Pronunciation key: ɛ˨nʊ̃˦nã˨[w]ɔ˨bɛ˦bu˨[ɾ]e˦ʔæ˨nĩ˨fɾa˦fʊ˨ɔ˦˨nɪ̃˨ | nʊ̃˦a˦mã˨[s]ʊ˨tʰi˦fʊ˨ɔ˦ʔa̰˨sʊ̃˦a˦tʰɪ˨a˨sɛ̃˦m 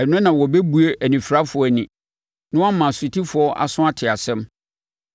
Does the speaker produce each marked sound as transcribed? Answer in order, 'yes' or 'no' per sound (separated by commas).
yes, no, yes